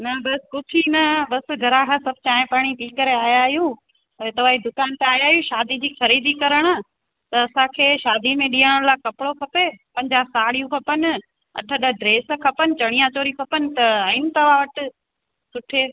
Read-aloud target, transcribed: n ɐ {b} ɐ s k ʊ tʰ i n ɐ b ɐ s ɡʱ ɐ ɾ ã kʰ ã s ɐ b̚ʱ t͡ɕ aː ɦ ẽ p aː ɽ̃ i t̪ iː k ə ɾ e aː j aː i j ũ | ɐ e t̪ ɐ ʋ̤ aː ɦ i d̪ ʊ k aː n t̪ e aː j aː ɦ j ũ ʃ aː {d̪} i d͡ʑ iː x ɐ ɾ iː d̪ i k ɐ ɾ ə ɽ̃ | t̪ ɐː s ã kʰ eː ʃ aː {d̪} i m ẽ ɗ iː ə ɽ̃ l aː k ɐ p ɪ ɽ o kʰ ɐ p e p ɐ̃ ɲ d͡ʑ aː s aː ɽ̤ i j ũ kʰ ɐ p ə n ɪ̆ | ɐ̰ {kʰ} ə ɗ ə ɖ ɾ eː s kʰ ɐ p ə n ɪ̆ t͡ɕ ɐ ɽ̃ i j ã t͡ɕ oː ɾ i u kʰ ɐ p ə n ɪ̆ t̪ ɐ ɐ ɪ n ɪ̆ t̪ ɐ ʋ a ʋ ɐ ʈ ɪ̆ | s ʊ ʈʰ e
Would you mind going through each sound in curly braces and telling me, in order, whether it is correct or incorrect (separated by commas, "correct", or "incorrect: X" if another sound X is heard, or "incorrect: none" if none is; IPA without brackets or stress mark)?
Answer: correct, correct, correct, incorrect: ʈʰ